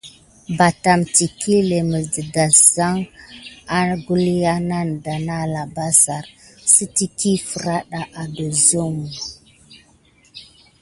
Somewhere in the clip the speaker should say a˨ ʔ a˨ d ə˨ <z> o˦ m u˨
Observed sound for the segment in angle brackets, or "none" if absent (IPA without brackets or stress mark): z